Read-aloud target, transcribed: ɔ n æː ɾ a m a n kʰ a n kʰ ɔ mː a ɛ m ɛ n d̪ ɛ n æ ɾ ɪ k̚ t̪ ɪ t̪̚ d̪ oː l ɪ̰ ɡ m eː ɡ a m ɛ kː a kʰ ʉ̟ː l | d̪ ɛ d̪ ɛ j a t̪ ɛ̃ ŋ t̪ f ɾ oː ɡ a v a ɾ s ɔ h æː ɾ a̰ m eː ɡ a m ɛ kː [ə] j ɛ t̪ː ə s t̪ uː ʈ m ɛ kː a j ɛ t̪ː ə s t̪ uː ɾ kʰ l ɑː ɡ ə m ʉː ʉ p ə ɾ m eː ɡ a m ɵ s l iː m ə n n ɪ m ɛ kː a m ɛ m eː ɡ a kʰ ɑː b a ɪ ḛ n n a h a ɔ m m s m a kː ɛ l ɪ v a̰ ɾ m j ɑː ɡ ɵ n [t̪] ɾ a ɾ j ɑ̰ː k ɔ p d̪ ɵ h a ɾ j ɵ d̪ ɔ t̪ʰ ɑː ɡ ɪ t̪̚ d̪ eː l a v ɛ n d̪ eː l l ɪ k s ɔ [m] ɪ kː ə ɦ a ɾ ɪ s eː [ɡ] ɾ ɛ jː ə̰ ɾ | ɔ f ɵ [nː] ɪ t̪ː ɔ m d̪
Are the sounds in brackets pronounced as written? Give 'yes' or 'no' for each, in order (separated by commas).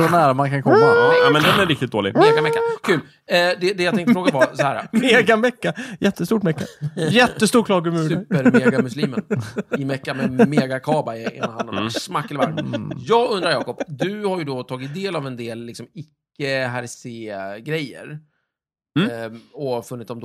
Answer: no, no, yes, yes, yes